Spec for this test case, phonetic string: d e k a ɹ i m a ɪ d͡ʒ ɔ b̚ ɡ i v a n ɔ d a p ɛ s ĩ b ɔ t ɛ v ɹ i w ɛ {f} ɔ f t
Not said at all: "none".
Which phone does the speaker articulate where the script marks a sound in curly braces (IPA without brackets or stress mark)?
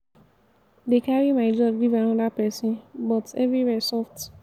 s